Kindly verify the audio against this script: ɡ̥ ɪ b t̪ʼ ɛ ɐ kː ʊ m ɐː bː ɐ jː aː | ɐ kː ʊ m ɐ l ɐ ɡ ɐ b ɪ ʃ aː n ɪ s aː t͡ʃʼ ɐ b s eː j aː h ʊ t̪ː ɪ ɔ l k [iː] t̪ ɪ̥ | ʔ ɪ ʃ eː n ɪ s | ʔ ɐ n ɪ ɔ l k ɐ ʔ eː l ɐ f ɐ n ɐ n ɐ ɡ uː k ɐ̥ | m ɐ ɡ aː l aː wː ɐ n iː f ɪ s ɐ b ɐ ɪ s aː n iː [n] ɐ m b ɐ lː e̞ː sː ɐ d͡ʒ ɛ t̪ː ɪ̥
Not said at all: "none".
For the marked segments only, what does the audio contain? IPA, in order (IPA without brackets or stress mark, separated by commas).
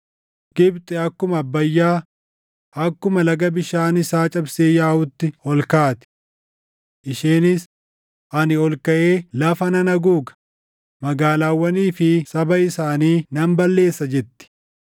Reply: aː, n